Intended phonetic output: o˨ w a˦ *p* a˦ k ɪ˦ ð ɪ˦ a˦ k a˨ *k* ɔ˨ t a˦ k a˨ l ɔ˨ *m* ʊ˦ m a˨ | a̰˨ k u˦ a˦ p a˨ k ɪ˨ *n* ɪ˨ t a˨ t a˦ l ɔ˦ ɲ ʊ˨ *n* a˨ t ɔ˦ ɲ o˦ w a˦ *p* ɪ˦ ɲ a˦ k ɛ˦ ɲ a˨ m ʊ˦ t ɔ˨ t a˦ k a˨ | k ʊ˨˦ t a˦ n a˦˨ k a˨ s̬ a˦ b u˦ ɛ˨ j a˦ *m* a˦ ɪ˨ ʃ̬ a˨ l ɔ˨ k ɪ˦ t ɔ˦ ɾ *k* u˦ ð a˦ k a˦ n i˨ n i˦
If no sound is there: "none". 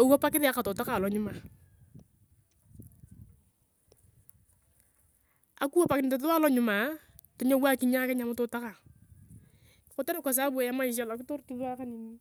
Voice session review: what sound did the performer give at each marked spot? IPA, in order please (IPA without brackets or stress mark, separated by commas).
p, t, ɲ, n, m, k, m, t